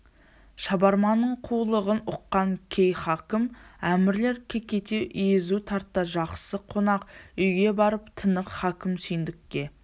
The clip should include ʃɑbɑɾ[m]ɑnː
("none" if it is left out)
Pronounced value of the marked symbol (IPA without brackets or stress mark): m